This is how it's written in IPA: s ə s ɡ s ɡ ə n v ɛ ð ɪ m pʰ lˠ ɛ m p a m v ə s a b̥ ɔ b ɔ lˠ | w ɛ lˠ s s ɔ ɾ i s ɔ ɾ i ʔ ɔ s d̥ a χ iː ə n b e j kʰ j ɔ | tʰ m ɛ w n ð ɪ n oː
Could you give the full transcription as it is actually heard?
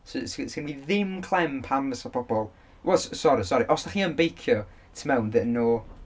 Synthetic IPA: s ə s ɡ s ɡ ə n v i ð ɪ m kʰ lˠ ɛ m pʰ a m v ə s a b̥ ɔ b ɔ lˠ | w ɛ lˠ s s ɔ ɾ i s ɔ ɾ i ʔ ɔ s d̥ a χ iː ə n b e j kʰ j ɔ | tʰ m ɛ w n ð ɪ n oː

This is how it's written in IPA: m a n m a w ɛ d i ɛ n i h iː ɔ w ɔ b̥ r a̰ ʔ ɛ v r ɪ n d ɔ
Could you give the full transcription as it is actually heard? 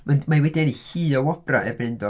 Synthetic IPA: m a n m a w ɛ d i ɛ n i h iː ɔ w ɔ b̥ r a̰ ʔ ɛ b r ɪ n d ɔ

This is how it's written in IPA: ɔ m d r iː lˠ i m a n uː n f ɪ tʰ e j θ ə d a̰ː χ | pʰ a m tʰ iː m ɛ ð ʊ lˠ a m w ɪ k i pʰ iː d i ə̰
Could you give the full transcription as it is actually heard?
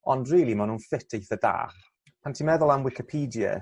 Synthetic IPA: ɔ n d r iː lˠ i m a n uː n f ɪ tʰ e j θ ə d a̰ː χ | pʰ a n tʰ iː m ɛ ð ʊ lˠ a m w ɪ k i pʰ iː d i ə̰

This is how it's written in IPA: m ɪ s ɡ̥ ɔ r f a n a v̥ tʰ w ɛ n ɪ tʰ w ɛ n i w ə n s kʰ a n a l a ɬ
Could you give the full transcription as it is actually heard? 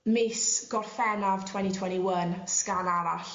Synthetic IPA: m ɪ s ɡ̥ ɔ r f ɛ n a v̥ tʰ w ɛ n i tʰ w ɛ n i w ə n s k a n a ɾ a ɬ

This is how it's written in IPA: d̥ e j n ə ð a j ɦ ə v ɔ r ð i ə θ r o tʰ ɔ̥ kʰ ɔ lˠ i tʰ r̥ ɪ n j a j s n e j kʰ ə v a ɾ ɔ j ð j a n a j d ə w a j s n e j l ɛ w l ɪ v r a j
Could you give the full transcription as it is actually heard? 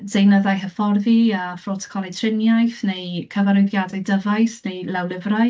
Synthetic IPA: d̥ e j n ə ð a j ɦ ə f ɔ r ð i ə f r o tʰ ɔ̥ kʰ ɔ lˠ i tʰ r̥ ɪ n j a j θ n e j kʰ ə v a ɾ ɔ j ð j a d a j d ə v a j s n e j l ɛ w l ɪ v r a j

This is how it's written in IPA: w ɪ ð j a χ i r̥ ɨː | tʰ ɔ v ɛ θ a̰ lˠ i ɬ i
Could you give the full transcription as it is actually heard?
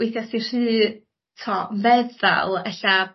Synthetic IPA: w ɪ θ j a s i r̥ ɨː | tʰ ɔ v ɛ ð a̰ lˠ ɛ ɬ a

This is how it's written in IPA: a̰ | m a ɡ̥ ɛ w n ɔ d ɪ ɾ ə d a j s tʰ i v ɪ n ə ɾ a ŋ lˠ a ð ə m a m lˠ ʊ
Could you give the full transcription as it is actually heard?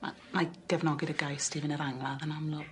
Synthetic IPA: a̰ | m a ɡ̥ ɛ v n ɔ ɡ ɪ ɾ ə ɡ a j s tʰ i v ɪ n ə ɾ a ŋ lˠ a ð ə n a m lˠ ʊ

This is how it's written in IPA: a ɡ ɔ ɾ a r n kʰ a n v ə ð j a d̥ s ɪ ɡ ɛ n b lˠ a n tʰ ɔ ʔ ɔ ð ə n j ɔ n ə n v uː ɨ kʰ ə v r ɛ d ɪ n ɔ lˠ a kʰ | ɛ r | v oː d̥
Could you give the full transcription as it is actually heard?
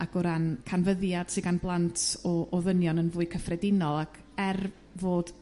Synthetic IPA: a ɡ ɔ ɾ a n kʰ a n v ə ð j a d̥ s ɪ ɡ a n b lˠ a n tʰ ɔ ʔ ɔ ð ə n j ɔ n ə n v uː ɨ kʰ ə f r ɛ d ɪ n ɔ lˠ a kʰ | ɛ r | v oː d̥

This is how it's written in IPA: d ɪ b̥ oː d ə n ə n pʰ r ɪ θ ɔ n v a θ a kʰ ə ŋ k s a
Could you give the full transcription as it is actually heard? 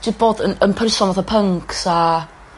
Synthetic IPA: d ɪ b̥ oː d ə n ə n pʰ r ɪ s ɔ n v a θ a pʰ ə ŋ k s a

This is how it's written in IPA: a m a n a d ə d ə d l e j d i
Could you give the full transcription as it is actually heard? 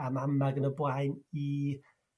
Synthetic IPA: a m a m a ɡ ə n ə b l a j n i

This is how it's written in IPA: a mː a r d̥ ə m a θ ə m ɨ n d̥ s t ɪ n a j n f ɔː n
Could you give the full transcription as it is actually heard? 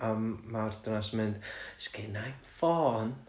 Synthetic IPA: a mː a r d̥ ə n a s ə m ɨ n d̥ s k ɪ n a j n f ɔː n

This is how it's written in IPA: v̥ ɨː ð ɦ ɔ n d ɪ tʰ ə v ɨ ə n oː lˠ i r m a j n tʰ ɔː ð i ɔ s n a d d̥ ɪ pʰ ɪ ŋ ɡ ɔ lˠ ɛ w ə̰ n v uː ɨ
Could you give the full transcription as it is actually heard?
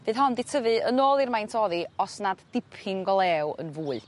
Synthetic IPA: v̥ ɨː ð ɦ ɔ n d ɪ tʰ ə v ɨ ə n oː lˠ i r m a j n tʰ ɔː ð i ɔ s n a d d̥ ɪ pʰ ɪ ŋ ɡ ɔ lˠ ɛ w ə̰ n v uː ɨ

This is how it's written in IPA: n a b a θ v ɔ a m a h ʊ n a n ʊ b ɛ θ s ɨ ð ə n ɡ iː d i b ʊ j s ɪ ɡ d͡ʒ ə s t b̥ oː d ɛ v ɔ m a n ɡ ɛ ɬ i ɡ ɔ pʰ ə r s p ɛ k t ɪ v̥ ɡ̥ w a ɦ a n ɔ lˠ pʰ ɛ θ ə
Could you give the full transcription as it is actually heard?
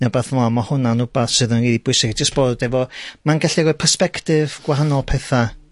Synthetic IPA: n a b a θ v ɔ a m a h ʊ n a n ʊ b a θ s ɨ ð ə n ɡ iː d i b ʊ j s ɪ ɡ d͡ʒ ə s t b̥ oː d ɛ v ɔ m a n ɡ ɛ ɬ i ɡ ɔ pʰ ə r s p ɛ k t ɪ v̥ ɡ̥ w a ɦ a n ɔ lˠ pʰ ɛ θ a

